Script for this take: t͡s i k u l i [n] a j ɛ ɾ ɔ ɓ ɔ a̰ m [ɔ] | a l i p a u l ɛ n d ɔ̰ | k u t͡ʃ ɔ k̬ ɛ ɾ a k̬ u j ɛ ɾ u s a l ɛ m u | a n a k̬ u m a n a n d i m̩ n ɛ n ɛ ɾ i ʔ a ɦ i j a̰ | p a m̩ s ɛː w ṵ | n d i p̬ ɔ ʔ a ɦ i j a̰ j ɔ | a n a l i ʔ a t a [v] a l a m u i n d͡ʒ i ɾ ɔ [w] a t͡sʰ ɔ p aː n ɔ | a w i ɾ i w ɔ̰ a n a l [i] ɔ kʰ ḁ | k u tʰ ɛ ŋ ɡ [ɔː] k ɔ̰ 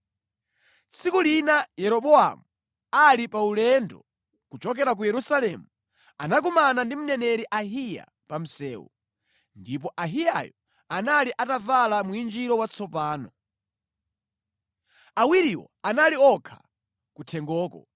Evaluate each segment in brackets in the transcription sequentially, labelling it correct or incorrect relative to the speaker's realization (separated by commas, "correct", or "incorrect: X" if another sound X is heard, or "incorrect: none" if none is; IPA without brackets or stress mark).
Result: correct, incorrect: u, correct, correct, correct, correct